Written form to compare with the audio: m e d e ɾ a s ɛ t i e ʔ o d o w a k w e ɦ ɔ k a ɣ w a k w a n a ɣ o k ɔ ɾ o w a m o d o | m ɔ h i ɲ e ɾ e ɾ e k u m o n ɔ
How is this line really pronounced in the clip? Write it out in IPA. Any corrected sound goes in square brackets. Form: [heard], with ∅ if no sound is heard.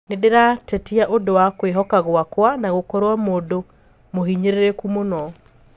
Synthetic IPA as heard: [n] e d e ɾ a [t] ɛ t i [a] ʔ o d o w a k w e ɦ ɔ k a ɣ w a k w a n a ɣ o k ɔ ɾ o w a m o d o | m [o] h i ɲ e ɾ e ɾ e k u m o n ɔ